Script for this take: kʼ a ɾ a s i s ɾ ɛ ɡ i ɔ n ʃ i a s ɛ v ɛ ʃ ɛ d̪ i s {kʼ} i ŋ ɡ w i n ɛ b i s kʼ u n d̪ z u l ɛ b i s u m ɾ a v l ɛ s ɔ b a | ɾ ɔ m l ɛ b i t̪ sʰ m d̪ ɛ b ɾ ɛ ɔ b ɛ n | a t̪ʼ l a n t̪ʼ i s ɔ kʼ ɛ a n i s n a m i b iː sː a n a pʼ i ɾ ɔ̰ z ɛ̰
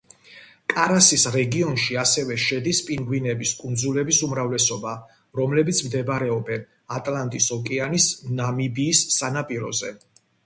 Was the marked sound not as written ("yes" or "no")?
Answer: yes